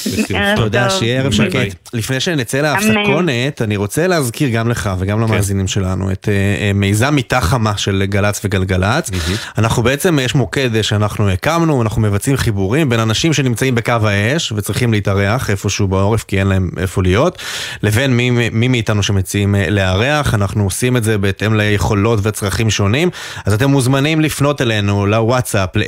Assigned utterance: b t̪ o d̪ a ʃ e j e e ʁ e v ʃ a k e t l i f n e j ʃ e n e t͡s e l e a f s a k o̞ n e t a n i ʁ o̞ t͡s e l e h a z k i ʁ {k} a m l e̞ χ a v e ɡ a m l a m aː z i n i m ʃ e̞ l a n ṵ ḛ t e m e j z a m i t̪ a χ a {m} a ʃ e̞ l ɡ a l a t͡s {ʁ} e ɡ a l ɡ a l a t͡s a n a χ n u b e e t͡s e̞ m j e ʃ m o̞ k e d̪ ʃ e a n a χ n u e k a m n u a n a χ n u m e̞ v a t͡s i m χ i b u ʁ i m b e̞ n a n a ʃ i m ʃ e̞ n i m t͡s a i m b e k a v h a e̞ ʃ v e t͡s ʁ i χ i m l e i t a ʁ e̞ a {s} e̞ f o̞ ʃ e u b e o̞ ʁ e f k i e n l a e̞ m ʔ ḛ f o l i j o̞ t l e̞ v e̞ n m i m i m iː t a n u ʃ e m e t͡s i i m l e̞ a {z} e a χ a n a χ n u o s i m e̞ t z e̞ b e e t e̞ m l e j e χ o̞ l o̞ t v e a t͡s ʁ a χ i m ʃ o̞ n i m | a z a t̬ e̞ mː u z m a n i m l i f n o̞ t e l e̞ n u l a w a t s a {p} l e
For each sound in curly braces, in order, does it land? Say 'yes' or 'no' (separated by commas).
no, yes, no, no, no, yes